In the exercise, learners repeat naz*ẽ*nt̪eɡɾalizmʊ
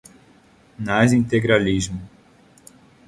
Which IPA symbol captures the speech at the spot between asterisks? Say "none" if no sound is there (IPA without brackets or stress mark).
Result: ĩ